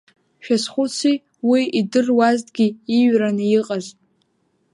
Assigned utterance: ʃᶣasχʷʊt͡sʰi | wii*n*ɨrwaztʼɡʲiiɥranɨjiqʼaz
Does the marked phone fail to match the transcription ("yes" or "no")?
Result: yes